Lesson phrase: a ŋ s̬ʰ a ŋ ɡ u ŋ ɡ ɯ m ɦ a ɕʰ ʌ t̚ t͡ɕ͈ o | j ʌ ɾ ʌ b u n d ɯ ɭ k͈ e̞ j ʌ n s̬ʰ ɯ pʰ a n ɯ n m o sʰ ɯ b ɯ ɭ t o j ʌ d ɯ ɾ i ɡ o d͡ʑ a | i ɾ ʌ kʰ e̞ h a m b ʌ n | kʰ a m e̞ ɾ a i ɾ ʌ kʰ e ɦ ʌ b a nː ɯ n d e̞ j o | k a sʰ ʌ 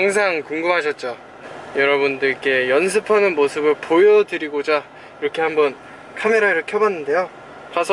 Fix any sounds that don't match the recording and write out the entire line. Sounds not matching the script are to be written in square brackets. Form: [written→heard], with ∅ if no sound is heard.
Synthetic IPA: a ŋ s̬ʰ a ŋ [ɡ→k] u ŋ ɡ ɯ m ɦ a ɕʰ ʌ t̚ t͡ɕ͈ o | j ʌ ɾ ʌ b u n d ɯ ɭ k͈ e̞ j ʌ n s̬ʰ ɯ pʰ a n ɯ n m o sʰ ɯ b ɯ ɭ [t→p] o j ʌ d ɯ ɾ i ɡ o d͡ʑ a | i ɾ ʌ kʰ e̞ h a m b ʌ n | kʰ a m e̞ ɾ a i ɾ ʌ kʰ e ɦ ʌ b a nː ɯ n d e̞ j o | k a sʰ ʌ